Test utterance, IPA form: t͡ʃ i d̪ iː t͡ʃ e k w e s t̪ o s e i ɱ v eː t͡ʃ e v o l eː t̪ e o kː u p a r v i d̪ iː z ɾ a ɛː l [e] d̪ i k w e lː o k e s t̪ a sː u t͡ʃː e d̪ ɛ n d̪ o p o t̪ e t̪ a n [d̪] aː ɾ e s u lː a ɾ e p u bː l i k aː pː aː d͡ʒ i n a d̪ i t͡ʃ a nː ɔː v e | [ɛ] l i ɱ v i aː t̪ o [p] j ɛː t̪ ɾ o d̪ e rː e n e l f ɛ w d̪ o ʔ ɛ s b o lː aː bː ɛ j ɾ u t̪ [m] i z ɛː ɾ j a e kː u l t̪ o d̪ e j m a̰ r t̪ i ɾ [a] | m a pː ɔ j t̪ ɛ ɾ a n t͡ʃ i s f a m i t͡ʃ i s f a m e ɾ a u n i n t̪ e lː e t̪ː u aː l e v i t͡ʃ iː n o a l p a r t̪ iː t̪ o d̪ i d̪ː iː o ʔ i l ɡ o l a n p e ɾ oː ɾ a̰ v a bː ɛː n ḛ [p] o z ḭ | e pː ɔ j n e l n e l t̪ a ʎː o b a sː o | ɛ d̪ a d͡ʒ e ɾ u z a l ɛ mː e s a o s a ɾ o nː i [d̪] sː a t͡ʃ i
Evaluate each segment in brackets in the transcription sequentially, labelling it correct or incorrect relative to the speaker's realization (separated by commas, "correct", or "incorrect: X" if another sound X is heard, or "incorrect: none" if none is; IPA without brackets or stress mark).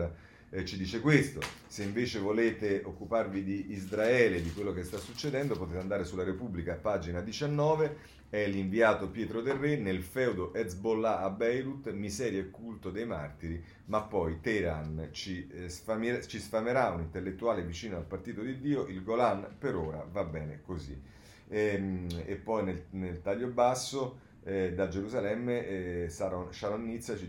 correct, correct, correct, correct, correct, incorrect: i, incorrect: k, incorrect: t̪